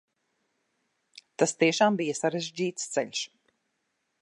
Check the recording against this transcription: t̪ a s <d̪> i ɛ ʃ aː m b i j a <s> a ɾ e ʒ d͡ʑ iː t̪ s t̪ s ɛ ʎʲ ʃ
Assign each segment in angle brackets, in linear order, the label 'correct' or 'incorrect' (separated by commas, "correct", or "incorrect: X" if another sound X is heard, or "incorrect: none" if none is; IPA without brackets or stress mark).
incorrect: t̪, correct